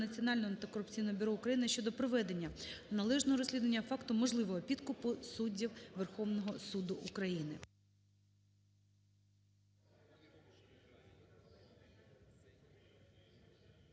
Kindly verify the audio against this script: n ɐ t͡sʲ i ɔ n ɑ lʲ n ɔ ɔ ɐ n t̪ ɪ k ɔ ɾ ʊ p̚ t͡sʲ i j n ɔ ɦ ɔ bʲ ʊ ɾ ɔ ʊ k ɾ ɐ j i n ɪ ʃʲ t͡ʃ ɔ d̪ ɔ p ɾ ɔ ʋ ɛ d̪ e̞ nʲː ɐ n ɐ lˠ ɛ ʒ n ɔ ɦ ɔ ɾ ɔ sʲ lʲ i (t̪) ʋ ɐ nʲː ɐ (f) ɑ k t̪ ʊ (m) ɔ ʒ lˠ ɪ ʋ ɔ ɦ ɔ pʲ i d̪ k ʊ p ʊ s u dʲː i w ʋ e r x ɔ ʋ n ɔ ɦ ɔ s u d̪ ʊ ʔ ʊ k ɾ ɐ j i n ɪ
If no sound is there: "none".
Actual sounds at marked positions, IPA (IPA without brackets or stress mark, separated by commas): d̪, f, m